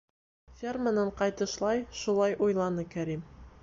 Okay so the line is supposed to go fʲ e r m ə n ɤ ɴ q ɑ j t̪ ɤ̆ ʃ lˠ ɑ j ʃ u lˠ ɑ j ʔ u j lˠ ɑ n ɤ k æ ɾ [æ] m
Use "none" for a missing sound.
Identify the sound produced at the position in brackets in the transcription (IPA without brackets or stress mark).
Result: i